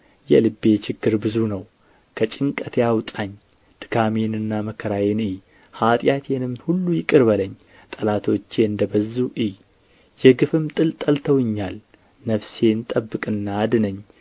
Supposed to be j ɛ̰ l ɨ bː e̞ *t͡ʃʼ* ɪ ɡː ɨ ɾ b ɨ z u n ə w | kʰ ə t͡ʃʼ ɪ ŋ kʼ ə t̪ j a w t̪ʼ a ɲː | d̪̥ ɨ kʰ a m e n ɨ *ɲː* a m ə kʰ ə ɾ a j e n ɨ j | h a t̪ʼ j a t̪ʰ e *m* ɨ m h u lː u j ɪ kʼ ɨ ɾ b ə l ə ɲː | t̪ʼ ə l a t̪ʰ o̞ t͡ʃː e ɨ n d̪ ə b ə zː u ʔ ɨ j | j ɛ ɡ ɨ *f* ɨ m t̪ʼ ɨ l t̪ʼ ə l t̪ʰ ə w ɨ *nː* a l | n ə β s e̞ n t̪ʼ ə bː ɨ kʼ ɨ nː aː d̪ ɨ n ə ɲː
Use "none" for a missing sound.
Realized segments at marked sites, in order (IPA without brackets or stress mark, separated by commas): t͡ʃ, nː, n, f, ɲː